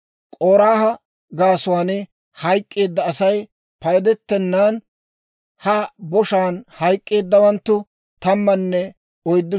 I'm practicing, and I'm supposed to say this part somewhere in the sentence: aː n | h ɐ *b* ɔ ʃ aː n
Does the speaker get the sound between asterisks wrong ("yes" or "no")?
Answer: no